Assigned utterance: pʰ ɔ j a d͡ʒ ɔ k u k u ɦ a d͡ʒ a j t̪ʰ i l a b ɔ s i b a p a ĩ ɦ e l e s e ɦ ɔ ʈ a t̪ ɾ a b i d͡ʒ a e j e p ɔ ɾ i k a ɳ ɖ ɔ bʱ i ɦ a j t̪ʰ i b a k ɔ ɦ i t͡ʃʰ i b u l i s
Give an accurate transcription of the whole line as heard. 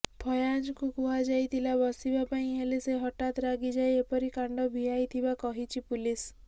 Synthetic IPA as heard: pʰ ɔ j a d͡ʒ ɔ k u k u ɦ a d͡ʒ a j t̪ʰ i l a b ɔ s i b a p a ĩ ɦ e l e s e ɦ ɔ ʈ a t̪ ɾ a ɡ i d͡ʒ a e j e p ɔ ɾ i k a ɳ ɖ ɔ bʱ i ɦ a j t̪ʰ i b a k ɔ ɦ i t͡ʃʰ i p u l i s

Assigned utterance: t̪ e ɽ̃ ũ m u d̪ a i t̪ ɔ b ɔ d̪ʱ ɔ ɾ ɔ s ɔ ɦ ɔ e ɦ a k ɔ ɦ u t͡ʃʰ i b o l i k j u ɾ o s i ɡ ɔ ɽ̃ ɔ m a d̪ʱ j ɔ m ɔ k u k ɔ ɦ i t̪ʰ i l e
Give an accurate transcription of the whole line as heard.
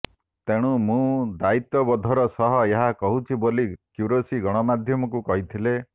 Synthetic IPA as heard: t̪ e ɽ̃ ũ m ũ d̪ a i t̪ ɔ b ɔ d̪ʱ ɔ ɾ ɔ s ɔ ɦ ɔ e ɦ a k ɔ ɦ u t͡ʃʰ i b o l i k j u ɾ o s i ɡ ɔ ɽ̃ ɔ m a d̪ʱ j ɔ m ɔ k u k ɔ ɦ i t̪ʰ i l e

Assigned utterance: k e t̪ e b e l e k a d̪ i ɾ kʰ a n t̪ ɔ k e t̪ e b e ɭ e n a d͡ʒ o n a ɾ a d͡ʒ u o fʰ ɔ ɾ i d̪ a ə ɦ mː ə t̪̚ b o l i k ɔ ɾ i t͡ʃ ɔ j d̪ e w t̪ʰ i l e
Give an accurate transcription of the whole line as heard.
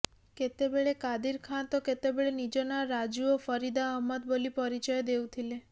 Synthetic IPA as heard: k e t̪ e b e ɭ e k a d̪ i ɾ kʰ a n t̪ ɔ k e t̪ e b e ɭ e n i d͡ʒ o n a ɾ a d͡ʒ u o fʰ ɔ ɾ i d̪ a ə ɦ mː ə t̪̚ b o l i p ɔ ɾ i t͡ʃ ɔ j d̪ e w t̪ʰ i l e

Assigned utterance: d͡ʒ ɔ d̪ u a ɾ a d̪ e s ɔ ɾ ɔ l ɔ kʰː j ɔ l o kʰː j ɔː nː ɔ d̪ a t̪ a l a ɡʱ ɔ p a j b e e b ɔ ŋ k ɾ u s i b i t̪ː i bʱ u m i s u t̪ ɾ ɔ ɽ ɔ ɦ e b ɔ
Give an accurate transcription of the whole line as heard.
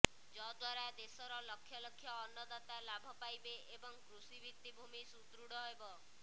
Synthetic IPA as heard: d͡ʒ ɔ d̪ w a ɾ a d̪ e s ɔ ɾ ɔ l ɔ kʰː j ɔ l ɔ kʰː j ɔː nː ɔ d̪ a t̪ a l a bʱ ɔ p a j b e e b ɔ ŋ k ɾ u s i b i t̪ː i bʱ u m i s u t̪ ɾ u ɽ ɔ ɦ e b ɔ

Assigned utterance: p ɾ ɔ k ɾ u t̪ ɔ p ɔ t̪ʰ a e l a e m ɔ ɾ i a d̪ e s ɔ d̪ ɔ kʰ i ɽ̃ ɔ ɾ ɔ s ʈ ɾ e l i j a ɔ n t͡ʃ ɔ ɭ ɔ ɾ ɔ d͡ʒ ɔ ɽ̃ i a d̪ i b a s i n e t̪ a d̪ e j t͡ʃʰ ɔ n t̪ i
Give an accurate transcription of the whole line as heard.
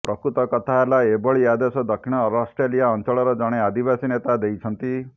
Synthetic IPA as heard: p ɾ ɔ k ɾ u t̪ ɔ k ɔ t̪ʰ a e l a e b ɔ ɭ i a d̪ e s ɔ d̪ ɔ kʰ i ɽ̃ ɔ ɾ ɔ s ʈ ɾ e l i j a ɔ n t͡ʃ ɔ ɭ ɔ ɾ ɔ d͡ʒ ɔ ɽ̃ e a d̪ i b a s i n e t̪ a d̪ e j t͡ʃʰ ɔ n t̪ i

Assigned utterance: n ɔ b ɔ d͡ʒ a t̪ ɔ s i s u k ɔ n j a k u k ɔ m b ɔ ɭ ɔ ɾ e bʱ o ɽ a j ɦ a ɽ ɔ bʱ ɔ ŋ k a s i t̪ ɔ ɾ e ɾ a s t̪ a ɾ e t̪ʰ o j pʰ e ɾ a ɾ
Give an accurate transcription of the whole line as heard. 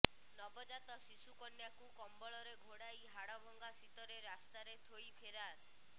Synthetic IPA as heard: n ɔ b ɔ d͡ʒ a t̪ ɔ s i s u k ɔ n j a k u k ɔ m b ɔ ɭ ɔ ɾ e ɡʱ o ɽ a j ɦ a ɽ ɔ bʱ ɔ ŋ ɡ a s i t̪ ɔ ɾ e ɾ a s t̪ a ɾ e t̪ʰ o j pʰ e ɾ a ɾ

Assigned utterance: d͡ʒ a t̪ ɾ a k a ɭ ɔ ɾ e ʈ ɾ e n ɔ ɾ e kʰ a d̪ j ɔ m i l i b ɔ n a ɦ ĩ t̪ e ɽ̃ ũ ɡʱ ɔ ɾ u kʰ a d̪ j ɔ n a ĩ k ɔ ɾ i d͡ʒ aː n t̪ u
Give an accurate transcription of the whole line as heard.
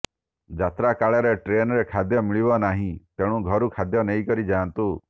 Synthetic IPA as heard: d͡ʒ a t̪ ɾ a k a ɭ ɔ ɾ e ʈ ɾ e n ɔ ɾ e kʰ a d̪ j ɔ m i ɭ i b ɔ n a ɦ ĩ t̪ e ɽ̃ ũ ɡʱ ɔ ɾ u kʰ a d̪ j ɔ n e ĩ k ɔ ɾ i d͡ʒ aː n t̪ u

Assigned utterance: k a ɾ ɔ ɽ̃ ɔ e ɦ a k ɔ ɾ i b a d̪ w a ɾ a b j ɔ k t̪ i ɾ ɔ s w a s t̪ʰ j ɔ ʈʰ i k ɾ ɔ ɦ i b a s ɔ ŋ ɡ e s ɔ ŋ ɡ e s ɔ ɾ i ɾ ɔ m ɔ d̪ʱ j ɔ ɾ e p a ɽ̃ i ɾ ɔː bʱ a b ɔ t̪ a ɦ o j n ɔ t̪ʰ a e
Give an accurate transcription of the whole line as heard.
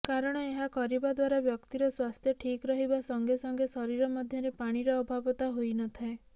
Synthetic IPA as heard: k a ɾ ɔ ɽ̃ ɔ e ɦ a k ɔ ɾ i b a d̪ w a ɾ a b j ɔ k t̪ i ɾ ɔ s w a s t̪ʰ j ɔ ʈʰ i k ɾ ɔ ɦ i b a s ɔ ŋ ɡ e s ɔ ŋ ɡ e s ɔ ɾ i ɾ ɔ m ɔ d̪ʱ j ɔ ɾ e p a ɽ̃ i ɾ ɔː bʱ a b ɔ t̪ a ɦ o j n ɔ t̪ʰ a e

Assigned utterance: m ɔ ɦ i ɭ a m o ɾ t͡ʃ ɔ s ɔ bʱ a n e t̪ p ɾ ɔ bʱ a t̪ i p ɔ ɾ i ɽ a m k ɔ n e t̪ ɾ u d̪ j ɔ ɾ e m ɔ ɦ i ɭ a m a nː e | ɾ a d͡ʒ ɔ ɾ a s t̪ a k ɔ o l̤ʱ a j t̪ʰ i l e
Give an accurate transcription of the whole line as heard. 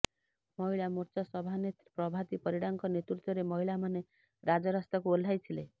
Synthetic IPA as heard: m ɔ ɦ i ɭ a m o ɾ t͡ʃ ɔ s ɔ bʱ a n e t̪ p ɾ ɔ bʱ a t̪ i p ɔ ɾ i ɽ a ŋ k ɔ n e t̪ ɾ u t̪ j ɔ ɾ e m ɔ ɦ i ɭ a m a n e | ɾ a d͡ʒ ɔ ɾ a s t̪ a k u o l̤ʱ a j t̪ʰ i l e

